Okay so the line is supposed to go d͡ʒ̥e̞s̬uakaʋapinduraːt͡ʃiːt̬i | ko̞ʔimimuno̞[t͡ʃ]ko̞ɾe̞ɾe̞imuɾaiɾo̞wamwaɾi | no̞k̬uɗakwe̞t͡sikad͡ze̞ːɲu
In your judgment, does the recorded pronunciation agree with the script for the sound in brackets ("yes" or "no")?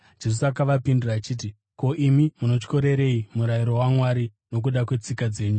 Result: yes